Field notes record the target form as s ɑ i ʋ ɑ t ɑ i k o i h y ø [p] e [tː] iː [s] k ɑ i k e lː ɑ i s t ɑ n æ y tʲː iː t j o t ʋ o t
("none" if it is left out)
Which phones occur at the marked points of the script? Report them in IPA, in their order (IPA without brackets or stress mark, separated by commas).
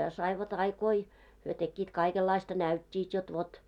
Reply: t, kː, t